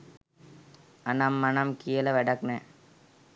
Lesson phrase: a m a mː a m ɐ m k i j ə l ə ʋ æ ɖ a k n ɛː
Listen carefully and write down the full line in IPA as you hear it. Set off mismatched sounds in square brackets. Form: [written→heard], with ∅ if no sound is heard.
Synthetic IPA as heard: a [m→n] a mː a [m→n] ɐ m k i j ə l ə ʋ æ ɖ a k n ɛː